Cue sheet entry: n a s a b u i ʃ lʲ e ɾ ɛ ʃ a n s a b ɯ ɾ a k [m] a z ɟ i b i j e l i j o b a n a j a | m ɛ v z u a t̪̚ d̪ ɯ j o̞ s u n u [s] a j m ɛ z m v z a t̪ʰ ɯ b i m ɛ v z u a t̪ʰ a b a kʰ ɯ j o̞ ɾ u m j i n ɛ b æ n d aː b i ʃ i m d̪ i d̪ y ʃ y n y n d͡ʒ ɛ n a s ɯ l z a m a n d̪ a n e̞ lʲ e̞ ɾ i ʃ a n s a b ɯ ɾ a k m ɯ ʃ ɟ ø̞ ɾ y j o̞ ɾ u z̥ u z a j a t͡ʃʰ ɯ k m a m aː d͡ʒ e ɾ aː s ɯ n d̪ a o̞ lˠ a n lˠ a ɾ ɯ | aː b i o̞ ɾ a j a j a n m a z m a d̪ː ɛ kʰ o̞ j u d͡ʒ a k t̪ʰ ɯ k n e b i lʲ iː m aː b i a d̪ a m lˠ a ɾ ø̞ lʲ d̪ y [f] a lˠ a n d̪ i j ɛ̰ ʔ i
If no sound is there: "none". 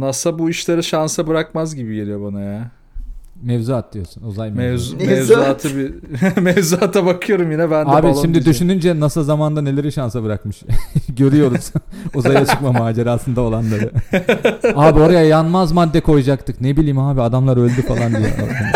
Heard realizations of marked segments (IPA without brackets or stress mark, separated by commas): m, z, f